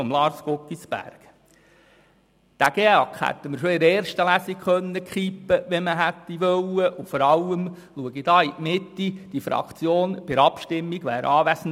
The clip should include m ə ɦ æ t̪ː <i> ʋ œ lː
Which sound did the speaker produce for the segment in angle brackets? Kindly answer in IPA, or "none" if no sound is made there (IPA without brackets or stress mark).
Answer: i